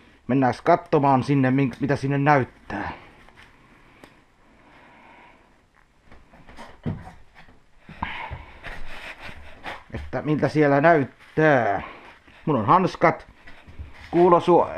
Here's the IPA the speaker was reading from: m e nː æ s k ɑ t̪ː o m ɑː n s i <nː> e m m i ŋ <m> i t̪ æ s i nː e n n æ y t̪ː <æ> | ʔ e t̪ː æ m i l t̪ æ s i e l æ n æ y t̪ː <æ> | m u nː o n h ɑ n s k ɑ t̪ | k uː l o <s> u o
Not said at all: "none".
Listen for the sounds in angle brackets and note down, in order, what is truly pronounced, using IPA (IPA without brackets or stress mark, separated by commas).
nː, m, æː, æː, s